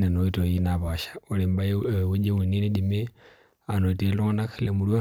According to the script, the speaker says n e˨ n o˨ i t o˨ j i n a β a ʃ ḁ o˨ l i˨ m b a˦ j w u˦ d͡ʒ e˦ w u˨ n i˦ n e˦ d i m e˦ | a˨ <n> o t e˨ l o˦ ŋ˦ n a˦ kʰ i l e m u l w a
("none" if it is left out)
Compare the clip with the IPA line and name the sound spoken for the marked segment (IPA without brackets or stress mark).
n